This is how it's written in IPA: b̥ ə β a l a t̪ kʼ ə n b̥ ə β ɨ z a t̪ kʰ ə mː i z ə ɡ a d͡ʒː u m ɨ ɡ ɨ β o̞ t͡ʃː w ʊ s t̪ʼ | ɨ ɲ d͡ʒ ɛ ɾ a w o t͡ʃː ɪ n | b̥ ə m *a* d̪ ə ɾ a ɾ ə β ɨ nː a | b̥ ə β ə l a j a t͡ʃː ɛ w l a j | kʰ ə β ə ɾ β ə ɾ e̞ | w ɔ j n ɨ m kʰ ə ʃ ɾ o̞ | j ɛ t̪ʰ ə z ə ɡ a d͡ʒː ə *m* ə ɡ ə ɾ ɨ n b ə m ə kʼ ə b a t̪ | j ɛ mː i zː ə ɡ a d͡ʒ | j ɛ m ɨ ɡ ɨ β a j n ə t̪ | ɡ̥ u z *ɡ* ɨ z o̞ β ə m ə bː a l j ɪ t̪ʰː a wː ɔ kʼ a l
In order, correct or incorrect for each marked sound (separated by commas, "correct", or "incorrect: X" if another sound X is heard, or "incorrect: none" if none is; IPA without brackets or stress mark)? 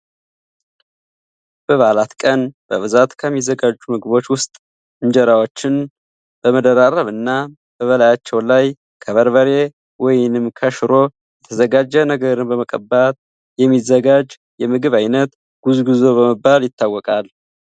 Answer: incorrect: ə, incorrect: n, correct